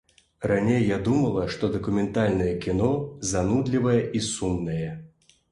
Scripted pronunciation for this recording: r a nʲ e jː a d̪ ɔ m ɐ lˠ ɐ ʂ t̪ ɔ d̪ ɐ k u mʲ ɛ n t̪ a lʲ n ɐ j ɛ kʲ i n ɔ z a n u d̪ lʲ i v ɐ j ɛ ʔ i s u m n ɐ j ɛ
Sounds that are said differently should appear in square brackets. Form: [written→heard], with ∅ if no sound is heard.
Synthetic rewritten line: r a nʲ e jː a d̪ [ɔ→u] m ɐ lˠ ɐ ʂ t̪ ɔ d̪ ɐ k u mʲ ɛ n t̪ a lʲ n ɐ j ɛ kʲ i n ɔ z a n u d̪ lʲ i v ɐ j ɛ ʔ i s u m n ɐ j ɛ